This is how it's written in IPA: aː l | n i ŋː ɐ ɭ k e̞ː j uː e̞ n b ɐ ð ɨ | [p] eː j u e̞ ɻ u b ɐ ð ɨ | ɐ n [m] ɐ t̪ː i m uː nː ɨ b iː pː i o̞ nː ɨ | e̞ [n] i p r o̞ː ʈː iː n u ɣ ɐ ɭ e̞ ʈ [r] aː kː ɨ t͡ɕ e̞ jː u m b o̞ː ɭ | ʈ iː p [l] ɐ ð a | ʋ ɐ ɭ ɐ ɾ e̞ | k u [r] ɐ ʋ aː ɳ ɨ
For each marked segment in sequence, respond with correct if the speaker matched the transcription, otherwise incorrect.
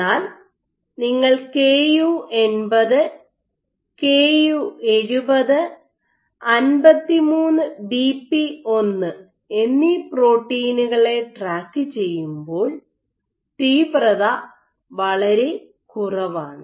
incorrect: k, incorrect: b, incorrect: nː, correct, incorrect: r, correct

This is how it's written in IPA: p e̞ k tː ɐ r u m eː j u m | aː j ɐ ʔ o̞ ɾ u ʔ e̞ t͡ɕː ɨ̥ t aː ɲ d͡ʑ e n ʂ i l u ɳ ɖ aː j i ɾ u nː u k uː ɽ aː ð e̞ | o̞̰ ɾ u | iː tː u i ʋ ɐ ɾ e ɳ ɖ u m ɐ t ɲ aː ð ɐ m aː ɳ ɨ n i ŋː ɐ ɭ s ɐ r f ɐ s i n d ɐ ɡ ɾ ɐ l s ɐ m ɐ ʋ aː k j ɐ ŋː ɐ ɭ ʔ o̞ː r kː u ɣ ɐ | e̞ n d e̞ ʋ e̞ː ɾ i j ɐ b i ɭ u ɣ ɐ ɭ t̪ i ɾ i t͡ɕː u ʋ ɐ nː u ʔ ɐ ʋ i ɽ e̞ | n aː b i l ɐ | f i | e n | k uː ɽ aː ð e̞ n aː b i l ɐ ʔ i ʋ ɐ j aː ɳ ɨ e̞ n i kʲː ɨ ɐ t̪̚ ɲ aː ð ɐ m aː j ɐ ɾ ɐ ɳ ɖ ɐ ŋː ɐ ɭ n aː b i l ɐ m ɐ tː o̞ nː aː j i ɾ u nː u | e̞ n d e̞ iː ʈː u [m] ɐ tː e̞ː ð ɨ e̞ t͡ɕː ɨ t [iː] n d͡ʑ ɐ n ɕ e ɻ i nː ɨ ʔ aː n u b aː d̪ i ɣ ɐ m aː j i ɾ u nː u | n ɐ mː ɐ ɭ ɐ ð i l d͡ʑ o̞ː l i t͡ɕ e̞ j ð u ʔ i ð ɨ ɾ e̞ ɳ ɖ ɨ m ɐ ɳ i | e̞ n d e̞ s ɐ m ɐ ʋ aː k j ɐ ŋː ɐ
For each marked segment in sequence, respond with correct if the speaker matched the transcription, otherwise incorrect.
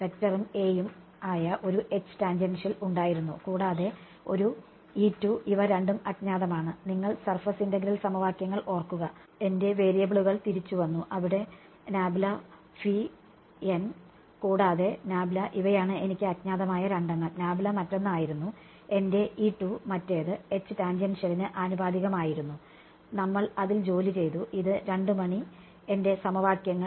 correct, incorrect: aː

